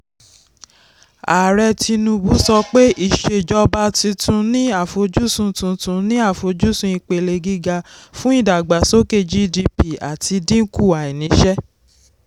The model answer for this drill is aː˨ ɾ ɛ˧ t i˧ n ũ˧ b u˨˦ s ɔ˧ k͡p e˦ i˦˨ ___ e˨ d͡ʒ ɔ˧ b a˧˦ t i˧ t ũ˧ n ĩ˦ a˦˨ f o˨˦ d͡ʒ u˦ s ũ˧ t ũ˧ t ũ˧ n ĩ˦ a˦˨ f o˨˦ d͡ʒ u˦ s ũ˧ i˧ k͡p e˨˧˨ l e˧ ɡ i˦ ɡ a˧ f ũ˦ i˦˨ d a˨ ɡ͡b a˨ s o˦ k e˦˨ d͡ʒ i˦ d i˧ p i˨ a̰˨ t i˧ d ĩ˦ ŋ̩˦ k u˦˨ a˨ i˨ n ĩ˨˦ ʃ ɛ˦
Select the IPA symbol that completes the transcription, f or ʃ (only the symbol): ʃ